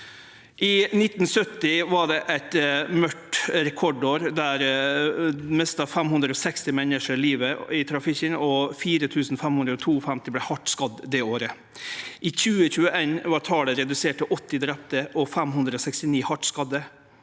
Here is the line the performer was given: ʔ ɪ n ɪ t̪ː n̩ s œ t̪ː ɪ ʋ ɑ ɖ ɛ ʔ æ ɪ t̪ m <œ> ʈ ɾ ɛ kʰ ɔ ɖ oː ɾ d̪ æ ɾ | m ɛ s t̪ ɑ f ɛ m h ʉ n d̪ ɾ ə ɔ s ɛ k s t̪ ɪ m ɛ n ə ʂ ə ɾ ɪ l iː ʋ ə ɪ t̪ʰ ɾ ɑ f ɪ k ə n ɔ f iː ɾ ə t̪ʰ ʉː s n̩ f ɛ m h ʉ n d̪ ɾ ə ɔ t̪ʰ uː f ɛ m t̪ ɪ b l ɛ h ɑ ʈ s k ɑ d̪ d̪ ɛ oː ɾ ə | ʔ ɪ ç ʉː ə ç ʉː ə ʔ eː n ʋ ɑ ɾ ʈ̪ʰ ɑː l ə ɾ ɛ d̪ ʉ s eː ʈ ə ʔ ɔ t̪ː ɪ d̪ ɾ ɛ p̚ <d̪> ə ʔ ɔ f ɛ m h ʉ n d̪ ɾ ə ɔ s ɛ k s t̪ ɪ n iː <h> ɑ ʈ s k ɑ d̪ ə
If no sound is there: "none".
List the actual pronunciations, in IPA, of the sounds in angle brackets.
œ, t̪, h

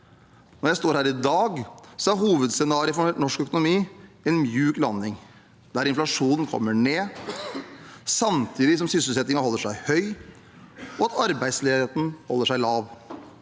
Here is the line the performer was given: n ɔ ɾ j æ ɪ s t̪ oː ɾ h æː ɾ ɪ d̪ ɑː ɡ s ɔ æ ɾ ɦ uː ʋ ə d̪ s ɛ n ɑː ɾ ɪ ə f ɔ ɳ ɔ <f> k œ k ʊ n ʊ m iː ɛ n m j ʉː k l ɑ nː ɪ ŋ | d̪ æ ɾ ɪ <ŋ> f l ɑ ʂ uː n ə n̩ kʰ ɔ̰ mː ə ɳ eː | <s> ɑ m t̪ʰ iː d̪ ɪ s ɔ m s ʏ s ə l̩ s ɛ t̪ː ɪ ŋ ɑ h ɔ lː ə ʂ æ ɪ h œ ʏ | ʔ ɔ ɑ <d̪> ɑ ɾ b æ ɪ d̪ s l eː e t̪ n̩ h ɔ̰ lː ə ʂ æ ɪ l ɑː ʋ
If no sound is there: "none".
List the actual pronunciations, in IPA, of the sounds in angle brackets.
ʂ, n, s, t̪

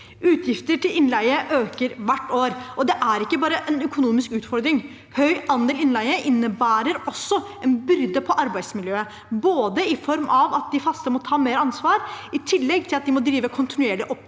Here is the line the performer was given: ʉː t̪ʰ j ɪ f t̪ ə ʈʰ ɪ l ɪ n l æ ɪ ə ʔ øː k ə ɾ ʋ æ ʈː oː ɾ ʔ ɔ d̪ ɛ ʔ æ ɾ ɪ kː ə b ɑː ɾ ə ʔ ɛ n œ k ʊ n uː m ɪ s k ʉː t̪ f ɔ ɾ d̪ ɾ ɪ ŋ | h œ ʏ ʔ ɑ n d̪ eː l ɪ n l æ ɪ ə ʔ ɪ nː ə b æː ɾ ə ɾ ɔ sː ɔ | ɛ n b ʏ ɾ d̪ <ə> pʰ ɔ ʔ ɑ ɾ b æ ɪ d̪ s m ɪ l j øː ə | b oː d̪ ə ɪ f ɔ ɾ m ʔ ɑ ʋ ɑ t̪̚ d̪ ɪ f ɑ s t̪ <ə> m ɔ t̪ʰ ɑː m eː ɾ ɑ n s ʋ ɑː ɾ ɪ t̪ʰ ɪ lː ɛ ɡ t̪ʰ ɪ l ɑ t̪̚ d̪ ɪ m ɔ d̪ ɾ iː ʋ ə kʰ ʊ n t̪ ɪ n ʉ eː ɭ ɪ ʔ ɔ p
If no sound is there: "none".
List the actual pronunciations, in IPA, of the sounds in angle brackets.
ə, ə

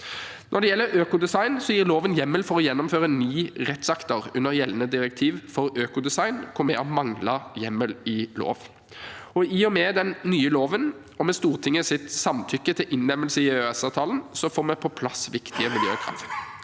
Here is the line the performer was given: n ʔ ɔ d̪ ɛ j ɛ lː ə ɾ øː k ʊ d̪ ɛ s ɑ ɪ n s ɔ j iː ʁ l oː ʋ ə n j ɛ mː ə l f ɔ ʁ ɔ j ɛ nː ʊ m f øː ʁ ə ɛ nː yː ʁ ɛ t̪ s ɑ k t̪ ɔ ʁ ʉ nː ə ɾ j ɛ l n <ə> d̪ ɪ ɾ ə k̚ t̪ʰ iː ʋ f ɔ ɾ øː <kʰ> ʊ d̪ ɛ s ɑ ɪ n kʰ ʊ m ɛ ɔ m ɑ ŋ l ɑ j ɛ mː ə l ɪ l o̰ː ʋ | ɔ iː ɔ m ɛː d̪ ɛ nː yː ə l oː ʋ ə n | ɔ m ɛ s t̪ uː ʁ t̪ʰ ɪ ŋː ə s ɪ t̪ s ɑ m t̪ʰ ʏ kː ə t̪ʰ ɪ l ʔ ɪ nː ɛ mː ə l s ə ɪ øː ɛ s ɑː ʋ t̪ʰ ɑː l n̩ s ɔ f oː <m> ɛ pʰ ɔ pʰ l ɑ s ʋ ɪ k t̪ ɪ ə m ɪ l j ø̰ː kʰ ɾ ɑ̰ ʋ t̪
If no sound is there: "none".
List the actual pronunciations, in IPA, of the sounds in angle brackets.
ə, k, m

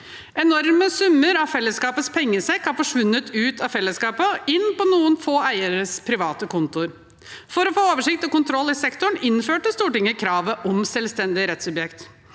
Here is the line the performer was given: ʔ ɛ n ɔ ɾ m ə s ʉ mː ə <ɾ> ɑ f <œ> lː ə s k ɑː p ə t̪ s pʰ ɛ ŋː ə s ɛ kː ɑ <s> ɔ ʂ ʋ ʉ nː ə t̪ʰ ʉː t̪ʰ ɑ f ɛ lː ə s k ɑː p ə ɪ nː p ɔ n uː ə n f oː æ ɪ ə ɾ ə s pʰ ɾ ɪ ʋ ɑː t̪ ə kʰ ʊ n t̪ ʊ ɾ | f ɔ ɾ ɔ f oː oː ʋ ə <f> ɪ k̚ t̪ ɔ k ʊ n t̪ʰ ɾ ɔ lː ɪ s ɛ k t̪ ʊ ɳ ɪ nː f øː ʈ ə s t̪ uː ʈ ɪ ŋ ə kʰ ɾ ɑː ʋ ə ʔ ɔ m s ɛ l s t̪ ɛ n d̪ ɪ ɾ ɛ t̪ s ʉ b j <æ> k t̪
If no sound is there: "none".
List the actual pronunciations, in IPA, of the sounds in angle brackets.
ɾ, ɛ, f, ʂ, ɛ

